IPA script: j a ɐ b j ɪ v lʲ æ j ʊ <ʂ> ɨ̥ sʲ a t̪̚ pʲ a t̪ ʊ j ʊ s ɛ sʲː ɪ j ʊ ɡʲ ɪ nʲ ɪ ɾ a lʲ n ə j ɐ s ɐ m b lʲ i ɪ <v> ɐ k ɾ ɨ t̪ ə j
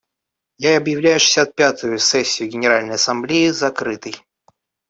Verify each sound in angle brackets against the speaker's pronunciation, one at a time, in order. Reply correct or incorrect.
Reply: correct, incorrect: z

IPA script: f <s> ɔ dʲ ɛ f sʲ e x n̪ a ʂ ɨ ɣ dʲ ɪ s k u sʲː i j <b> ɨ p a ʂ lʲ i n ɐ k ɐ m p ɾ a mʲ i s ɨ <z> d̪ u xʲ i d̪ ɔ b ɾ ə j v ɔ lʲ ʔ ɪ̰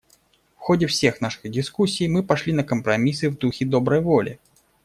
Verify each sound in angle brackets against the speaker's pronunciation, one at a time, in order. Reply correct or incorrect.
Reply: incorrect: x, incorrect: m, incorrect: v

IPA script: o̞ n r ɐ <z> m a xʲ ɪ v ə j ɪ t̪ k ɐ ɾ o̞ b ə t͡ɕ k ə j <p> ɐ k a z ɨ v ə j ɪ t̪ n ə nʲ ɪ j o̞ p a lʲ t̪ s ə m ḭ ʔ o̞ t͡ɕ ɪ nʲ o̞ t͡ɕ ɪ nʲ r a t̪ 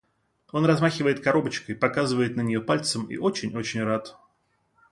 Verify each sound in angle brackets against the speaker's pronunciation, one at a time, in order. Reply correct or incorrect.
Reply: correct, correct

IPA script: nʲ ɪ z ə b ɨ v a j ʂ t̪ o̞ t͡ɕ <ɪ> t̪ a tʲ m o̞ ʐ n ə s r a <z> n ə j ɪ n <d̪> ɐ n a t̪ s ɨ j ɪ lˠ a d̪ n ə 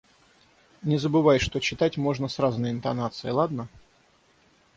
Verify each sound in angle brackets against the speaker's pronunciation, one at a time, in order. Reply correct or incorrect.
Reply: correct, correct, incorrect: t̪

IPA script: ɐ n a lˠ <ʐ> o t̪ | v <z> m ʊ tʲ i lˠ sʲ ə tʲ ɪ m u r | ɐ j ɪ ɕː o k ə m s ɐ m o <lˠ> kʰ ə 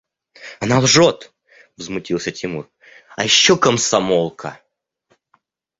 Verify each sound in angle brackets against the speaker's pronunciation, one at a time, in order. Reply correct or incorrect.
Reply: correct, correct, correct

